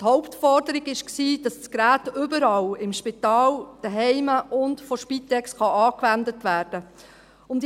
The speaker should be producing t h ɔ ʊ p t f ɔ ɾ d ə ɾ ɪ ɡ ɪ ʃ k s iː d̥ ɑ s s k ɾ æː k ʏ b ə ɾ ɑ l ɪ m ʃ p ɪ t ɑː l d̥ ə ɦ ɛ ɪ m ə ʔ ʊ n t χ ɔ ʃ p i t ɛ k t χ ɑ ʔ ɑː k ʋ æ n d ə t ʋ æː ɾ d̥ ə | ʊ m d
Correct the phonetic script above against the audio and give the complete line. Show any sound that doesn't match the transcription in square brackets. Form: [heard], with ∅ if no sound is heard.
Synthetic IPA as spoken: t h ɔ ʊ p t f ɔ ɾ d ə ɾ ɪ ɡ ɪ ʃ k s iː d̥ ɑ s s k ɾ æː [t] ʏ b ə ɾ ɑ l ɪ m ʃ p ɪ t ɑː l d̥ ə ɦ ɛ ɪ m ə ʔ ʊ n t [f] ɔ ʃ p i t ɛ k [s] χ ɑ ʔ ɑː k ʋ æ n d ə t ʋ æː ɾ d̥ ə | ʊ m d